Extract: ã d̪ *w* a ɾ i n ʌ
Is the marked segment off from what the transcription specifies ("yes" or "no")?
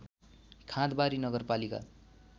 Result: yes